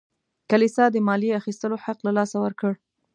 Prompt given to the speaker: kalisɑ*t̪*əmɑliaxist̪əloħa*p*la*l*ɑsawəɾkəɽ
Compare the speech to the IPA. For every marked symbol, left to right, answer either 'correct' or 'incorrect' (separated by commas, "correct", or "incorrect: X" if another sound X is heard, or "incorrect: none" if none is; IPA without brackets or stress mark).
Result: incorrect: d̪, incorrect: q, correct